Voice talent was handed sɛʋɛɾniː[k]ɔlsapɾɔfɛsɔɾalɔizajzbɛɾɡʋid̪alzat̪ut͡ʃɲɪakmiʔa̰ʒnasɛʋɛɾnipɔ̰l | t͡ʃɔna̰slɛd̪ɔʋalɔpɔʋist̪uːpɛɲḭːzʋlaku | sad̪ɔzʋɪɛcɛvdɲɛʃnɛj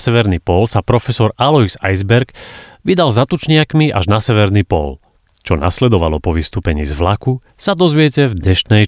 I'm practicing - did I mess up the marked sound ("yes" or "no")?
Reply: yes